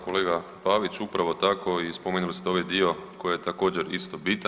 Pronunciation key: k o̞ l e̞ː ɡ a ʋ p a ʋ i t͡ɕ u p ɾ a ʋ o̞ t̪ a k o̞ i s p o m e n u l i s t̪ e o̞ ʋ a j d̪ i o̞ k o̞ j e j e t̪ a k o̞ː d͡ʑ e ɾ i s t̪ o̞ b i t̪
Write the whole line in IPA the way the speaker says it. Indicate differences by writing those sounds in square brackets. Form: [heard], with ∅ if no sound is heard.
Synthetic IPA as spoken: k o̞ l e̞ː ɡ a [∅] p a ʋ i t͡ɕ u p ɾ a ʋ o̞ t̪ a k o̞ i s p o m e n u l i s t̪ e o̞ ʋ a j d̪ i o̞ k o̞ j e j e t̪ a k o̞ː d͡ʑ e ɾ i s t̪ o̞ b i t̪